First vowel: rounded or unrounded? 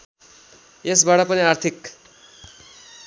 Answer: unrounded